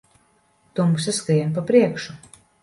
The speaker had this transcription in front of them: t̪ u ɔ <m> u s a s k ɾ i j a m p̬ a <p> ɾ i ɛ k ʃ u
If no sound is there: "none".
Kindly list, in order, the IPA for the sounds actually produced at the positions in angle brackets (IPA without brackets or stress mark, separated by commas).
m, p